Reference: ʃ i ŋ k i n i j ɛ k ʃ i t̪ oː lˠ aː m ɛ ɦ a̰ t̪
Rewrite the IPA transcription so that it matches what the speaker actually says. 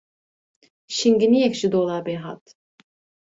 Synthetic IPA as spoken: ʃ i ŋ ɡ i n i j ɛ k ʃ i d̪ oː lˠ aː b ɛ ɦ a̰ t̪